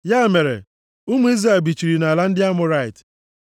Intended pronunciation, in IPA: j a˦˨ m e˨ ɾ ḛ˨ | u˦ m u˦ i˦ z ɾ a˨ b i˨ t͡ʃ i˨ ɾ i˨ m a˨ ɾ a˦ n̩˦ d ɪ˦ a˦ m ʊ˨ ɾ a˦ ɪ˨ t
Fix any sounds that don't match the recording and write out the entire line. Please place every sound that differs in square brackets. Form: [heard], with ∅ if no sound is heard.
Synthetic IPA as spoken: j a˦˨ m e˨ ɾ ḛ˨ | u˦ m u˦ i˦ z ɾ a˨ b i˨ t͡ʃ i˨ ɾ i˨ [n] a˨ [l] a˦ n̩˦ d ɪ˦ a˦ m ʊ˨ ɾ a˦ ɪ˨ t